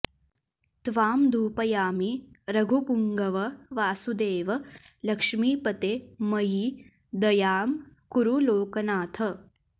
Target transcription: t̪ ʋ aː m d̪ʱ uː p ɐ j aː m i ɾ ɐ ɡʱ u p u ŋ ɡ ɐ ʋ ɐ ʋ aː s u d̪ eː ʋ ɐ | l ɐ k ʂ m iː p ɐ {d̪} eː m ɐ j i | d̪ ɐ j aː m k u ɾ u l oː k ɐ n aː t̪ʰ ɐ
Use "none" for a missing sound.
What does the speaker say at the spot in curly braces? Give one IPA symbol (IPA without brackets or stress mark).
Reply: t̪